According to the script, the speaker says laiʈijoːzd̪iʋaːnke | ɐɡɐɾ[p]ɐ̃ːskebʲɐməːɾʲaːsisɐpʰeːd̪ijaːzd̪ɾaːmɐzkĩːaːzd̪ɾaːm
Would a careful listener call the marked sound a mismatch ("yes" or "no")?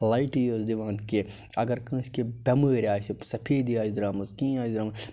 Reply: yes